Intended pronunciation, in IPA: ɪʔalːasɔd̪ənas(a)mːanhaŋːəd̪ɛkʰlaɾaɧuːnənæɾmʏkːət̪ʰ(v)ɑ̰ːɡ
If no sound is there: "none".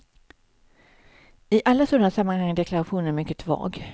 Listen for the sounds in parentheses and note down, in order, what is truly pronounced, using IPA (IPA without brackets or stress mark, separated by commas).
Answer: a, v